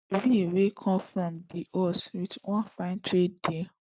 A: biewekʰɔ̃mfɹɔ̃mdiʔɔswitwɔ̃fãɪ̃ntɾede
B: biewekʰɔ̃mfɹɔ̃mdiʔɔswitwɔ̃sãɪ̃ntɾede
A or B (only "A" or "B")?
A